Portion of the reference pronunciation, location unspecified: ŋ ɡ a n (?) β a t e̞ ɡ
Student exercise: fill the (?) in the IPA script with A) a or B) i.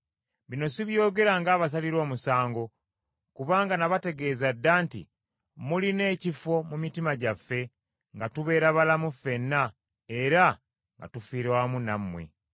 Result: A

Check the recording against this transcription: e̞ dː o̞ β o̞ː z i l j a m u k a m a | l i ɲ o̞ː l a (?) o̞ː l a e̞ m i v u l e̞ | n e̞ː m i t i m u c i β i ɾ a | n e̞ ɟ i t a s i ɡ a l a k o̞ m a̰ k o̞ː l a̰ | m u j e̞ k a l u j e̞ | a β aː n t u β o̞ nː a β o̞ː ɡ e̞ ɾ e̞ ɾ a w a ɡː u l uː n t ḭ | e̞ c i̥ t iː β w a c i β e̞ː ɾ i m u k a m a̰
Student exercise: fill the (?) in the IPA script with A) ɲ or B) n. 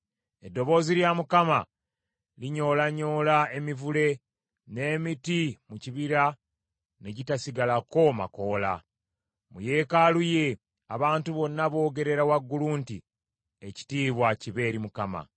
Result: A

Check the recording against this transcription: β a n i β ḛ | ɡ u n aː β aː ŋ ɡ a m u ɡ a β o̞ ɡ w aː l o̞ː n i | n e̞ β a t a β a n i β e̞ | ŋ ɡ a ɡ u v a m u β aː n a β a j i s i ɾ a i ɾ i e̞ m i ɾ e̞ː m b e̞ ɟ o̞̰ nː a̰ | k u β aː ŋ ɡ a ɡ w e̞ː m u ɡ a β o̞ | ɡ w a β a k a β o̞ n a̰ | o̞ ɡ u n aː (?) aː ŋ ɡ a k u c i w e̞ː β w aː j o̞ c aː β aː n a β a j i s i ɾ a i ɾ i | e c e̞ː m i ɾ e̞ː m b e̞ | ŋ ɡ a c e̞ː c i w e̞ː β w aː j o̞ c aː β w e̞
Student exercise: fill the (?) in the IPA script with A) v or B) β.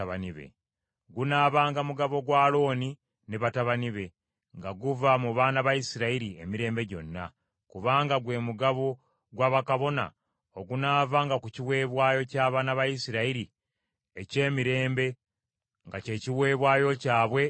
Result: A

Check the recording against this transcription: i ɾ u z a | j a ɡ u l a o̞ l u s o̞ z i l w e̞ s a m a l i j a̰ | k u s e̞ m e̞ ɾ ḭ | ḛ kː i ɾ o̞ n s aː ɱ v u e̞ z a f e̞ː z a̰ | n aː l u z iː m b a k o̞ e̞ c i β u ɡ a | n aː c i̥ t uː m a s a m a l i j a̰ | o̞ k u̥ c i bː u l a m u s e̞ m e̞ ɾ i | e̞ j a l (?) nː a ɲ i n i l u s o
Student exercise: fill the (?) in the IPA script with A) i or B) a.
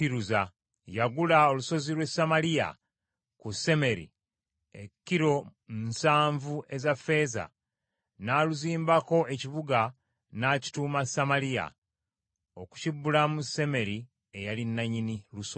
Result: A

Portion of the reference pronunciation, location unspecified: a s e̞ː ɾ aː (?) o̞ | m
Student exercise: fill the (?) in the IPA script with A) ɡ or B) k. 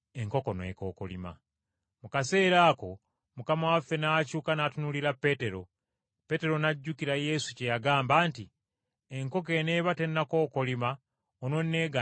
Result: B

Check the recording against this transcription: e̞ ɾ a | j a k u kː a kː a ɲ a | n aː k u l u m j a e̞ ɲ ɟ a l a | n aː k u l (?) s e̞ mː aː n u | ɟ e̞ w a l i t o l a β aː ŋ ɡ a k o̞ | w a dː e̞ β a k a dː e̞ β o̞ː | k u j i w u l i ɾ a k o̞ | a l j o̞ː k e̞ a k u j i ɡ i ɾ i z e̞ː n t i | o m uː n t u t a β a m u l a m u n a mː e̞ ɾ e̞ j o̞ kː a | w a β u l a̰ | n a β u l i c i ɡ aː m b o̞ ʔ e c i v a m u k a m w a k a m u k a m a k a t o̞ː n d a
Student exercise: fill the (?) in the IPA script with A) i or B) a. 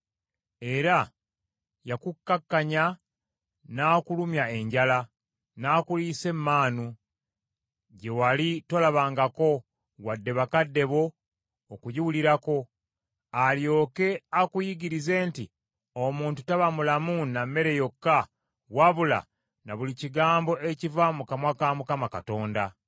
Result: A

